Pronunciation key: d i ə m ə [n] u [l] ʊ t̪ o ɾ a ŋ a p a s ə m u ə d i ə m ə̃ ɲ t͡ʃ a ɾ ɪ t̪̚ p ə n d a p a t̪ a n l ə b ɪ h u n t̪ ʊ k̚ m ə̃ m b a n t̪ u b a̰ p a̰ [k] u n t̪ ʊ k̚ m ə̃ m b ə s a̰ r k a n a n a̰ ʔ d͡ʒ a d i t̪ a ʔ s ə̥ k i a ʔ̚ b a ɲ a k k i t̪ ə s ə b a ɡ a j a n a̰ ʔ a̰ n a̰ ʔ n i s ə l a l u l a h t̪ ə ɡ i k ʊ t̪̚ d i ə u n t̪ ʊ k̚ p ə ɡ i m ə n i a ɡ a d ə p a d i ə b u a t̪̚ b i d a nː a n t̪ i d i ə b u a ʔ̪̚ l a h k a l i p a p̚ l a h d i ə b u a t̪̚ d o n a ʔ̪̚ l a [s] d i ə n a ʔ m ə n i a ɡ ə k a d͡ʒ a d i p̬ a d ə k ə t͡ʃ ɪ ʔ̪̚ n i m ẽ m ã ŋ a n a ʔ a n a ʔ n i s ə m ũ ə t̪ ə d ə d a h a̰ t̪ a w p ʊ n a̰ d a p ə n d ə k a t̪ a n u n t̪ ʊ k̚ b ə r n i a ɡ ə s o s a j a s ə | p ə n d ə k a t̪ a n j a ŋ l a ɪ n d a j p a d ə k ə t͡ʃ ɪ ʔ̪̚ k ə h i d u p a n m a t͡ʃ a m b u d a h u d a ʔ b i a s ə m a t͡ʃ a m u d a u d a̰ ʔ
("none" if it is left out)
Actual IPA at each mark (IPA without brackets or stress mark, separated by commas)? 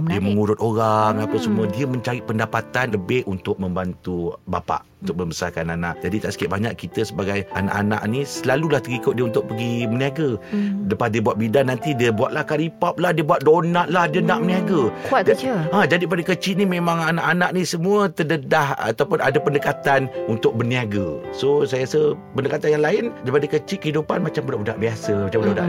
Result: ŋ, ɾ, ʔ, h